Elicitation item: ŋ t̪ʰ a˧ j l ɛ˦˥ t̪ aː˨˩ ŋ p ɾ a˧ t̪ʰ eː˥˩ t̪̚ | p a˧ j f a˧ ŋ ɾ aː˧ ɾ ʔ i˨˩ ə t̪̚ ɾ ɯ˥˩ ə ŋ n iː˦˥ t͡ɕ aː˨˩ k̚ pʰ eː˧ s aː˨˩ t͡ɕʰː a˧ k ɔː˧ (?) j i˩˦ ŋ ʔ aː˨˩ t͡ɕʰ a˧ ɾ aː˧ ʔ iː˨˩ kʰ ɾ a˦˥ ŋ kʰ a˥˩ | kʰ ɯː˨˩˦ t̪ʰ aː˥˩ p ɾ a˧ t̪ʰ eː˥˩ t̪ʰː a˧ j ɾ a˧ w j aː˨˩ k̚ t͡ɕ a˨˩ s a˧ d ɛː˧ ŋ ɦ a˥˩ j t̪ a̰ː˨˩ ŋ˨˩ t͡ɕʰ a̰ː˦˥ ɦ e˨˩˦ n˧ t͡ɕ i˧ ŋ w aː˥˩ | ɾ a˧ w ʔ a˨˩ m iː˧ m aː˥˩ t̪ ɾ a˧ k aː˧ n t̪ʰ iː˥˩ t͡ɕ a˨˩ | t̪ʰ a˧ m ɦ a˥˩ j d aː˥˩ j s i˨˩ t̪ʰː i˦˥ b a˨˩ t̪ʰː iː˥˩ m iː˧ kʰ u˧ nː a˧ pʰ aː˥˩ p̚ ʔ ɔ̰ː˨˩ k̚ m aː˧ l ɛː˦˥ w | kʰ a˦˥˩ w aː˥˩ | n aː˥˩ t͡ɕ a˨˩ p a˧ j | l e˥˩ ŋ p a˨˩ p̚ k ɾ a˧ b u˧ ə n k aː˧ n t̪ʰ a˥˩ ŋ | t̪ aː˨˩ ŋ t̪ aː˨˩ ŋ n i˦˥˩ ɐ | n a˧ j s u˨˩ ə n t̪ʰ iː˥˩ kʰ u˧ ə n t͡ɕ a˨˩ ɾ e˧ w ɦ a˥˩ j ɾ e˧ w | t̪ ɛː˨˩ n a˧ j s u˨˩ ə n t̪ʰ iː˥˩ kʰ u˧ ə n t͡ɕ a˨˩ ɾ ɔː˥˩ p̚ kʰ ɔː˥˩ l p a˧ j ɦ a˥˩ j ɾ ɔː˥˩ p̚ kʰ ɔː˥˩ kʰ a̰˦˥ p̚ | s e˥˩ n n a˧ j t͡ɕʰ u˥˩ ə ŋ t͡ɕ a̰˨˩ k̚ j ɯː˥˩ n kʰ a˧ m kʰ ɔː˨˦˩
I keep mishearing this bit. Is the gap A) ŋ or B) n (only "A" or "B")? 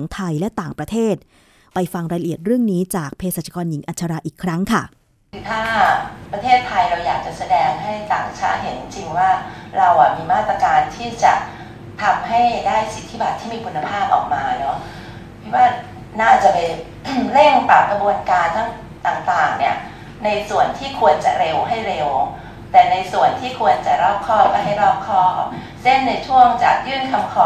B